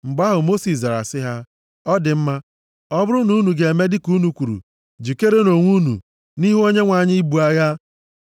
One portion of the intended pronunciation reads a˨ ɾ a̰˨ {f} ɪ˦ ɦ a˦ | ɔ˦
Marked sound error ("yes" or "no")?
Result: yes